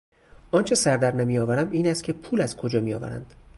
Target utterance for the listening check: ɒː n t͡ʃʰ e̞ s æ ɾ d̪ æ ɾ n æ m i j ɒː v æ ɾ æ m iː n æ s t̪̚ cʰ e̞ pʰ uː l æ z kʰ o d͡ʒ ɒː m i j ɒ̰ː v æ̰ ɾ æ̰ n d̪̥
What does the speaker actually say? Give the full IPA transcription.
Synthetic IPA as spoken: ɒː n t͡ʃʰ e̞ s æ ɾ d̪ æ ɾ n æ m i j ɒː v æ ɾ æ m iː n æ s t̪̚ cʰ e̞ pʰ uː l æ z kʰ o d͡ʒ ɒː m i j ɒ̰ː v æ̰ ɾ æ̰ n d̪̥